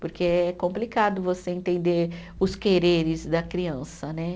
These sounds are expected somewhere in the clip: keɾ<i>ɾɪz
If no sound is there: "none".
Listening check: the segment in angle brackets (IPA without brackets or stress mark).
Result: e